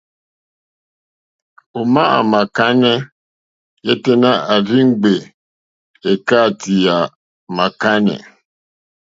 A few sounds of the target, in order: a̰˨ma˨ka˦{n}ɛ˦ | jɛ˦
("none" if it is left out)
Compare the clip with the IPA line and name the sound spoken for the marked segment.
n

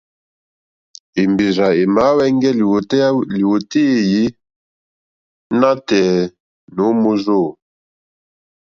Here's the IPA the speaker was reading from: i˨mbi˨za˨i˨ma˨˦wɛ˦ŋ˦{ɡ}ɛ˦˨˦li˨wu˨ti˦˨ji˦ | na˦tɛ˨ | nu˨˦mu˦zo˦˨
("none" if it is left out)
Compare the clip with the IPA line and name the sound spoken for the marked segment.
ɡ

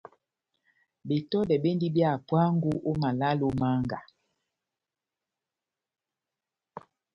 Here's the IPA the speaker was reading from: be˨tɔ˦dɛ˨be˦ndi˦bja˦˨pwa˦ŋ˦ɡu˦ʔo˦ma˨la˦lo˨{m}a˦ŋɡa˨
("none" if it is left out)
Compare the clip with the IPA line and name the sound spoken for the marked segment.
m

